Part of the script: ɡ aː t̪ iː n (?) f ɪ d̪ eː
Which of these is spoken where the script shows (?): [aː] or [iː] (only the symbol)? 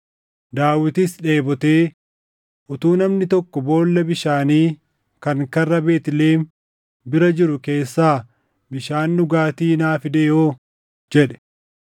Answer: aː